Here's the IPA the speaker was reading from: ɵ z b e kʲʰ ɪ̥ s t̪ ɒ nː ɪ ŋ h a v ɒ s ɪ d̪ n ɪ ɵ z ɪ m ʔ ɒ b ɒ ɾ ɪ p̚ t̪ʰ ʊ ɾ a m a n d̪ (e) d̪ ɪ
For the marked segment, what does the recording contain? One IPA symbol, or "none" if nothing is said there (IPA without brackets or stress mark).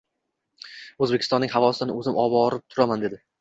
e